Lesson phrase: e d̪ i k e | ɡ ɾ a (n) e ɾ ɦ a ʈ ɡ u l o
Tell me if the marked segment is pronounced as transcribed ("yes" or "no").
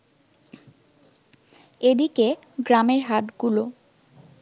no